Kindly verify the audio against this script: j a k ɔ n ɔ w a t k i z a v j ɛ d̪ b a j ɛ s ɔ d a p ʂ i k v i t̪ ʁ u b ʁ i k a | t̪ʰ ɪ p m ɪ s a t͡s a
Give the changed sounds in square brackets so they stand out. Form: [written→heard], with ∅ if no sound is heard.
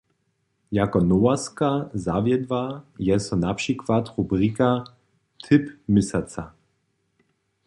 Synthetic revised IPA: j a k ɔ n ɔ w a [t→s] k [i→a] z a v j ɛ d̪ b a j ɛ s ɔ [d→n] a p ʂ i k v [i→a] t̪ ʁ u b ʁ i k a | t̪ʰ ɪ p m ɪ s a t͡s a